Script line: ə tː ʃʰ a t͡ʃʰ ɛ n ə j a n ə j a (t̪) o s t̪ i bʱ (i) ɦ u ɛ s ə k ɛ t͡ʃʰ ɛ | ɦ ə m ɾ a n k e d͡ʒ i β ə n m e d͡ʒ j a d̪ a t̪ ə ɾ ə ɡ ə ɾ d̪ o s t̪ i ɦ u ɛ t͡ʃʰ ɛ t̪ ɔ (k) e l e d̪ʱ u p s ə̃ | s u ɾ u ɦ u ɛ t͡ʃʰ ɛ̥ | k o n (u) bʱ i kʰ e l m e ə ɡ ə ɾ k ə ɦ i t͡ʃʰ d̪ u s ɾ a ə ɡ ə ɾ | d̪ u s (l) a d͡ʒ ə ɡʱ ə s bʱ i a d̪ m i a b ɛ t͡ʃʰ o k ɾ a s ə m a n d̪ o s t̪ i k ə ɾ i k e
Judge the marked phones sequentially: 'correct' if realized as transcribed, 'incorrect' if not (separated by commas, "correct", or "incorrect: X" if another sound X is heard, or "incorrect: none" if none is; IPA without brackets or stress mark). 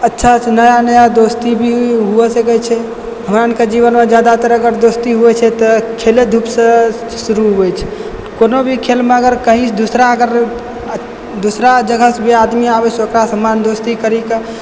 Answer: incorrect: d̪, correct, incorrect: kʰ, incorrect: o, incorrect: ɾ